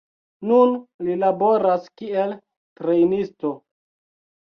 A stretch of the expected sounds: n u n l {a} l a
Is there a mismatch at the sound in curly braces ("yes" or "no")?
yes